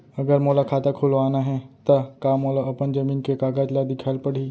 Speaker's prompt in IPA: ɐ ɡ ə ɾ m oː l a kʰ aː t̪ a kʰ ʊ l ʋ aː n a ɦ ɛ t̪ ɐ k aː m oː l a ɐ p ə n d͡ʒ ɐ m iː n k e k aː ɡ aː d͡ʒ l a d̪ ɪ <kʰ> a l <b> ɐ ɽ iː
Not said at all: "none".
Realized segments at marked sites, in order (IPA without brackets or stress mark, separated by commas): kʰ, p